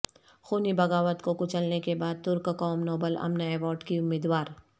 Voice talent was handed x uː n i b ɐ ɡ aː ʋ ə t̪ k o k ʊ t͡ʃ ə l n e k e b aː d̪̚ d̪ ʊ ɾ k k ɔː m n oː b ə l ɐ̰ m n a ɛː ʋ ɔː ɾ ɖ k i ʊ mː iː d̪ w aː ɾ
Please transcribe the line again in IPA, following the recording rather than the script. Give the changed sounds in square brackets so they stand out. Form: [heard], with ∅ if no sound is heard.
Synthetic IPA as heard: x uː n i b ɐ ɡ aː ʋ ə t̪ k o k ʊ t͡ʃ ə l n e k e b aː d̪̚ [t̪] ʊ ɾ k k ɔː m n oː b ə l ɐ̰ m n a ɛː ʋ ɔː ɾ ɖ k i ʊ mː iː d̪ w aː ɾ